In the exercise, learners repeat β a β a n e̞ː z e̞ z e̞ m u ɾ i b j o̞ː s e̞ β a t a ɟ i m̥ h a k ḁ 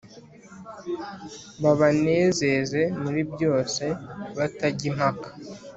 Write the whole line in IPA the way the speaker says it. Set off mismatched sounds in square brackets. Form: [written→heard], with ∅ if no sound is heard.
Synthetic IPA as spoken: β a β a n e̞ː z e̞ z e̞ m u ɾ i b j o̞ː s e̞ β a t a ɟ i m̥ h a k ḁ